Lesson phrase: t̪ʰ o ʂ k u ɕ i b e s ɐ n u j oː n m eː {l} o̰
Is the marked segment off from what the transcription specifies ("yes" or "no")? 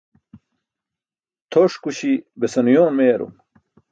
yes